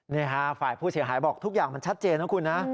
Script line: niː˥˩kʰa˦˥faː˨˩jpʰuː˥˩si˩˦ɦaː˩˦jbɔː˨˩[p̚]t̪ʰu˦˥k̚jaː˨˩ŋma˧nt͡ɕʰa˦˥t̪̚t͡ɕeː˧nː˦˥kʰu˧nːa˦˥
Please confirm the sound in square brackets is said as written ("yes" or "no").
no